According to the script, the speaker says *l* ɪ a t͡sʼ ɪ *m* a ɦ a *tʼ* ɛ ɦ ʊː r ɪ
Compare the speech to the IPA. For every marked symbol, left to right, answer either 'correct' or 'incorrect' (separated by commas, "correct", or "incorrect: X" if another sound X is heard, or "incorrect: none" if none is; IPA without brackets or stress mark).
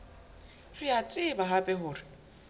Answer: incorrect: r, incorrect: b, incorrect: pʼ